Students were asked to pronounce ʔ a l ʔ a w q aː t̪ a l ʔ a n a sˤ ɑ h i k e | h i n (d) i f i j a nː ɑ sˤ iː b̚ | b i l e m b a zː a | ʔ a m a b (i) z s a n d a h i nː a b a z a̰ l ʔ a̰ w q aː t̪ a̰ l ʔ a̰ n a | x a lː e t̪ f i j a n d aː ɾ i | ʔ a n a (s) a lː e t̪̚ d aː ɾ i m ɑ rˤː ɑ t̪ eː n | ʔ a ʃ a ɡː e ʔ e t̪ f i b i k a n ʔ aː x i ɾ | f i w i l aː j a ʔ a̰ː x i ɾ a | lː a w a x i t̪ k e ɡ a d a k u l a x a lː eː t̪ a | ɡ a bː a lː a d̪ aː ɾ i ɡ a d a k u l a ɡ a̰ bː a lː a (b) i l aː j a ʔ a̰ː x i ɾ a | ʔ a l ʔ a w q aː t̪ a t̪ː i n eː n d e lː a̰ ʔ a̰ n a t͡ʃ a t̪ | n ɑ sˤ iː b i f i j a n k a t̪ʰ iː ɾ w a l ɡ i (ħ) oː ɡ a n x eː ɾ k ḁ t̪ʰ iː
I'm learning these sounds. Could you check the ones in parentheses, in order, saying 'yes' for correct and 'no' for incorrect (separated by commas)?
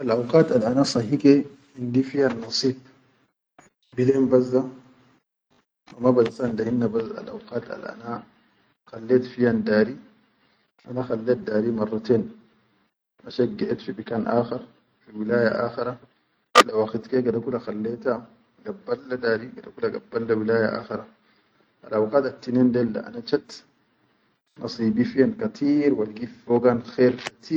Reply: yes, no, no, no, no